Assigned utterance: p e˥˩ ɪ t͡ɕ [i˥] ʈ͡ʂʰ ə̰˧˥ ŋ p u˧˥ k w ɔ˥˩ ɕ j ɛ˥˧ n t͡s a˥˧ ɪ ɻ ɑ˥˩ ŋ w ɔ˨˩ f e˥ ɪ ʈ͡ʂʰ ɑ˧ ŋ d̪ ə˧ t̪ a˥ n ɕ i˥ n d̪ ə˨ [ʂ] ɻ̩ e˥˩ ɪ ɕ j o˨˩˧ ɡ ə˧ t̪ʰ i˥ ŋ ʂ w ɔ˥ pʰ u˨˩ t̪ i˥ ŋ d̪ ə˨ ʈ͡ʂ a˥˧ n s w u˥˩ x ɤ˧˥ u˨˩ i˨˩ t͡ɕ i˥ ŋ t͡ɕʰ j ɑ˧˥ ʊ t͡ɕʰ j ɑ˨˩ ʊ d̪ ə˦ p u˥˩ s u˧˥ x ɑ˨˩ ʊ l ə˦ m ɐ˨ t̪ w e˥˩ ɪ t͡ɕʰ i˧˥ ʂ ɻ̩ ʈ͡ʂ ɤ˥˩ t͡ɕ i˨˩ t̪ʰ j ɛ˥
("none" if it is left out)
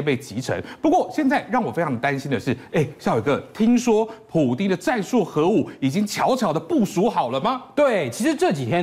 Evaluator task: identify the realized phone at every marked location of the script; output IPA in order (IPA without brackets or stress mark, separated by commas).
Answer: i˧˥, ʂ